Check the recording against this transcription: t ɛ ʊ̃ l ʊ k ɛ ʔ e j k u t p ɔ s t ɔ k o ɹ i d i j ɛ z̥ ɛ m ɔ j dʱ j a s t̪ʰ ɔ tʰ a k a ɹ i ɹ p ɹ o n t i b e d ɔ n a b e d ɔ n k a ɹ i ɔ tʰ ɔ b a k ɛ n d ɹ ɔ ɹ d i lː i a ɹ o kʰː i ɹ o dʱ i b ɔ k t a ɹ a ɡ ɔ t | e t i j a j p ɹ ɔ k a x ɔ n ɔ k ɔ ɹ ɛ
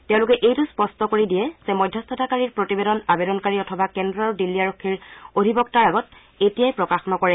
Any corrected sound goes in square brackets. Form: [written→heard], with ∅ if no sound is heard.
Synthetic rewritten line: t ɛ ʊ̃ l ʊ k ɛ ʔ e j [k→t] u [t→s] p ɔ s t ɔ k o ɹ i d i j ɛ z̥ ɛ m ɔ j dʱ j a s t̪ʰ ɔ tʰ a k a ɹ i ɹ p ɹ o [n→∅] t i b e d ɔ n a b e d ɔ n k a ɹ i ɔ tʰ ɔ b a k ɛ n d ɹ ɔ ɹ d i lː i a ɹ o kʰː i ɹ o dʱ i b ɔ k t a ɹ a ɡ ɔ t | e t i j a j p ɹ ɔ k a x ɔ n ɔ k ɔ ɹ ɛ